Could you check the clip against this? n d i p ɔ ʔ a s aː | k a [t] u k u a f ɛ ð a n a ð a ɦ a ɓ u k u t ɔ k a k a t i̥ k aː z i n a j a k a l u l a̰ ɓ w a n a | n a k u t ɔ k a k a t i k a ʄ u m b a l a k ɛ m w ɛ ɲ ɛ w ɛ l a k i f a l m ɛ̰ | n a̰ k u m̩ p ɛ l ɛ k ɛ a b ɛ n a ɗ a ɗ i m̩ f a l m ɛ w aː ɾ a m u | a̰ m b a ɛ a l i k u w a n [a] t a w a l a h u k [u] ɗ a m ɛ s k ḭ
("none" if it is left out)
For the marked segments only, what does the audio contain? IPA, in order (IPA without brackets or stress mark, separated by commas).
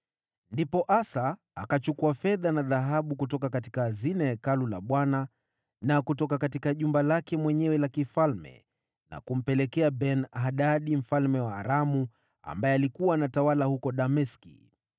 t͡ʃ, a, ɔ